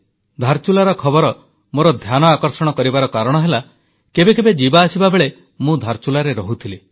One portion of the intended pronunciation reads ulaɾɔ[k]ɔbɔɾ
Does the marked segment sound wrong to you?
yes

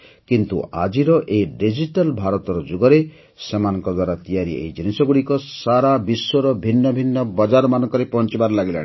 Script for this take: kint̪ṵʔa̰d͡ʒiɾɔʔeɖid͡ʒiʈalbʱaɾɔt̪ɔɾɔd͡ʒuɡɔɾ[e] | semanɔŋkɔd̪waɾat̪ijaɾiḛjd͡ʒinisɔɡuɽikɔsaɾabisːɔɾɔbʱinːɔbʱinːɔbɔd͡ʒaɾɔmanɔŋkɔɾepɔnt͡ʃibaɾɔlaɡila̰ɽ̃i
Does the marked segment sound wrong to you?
no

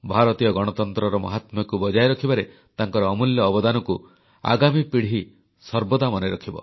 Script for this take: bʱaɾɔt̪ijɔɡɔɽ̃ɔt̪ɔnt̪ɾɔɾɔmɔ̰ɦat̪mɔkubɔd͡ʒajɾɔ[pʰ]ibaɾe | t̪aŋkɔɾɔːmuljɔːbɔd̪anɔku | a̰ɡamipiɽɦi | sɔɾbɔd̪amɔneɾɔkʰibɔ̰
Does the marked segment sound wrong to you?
yes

